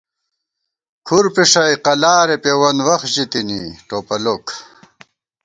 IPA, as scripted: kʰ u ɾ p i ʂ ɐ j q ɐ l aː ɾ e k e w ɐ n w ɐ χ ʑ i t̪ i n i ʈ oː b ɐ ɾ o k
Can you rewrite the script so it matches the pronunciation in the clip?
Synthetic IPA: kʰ u ɾ p i ʂ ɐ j q ɐ l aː ɾ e p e w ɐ n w ɐ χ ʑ i t̪ i n i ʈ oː p ɐ l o k